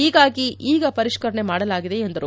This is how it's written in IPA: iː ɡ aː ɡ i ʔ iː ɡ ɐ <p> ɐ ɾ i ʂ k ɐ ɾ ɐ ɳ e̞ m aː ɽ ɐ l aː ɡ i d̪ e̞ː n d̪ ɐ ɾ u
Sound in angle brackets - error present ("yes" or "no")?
no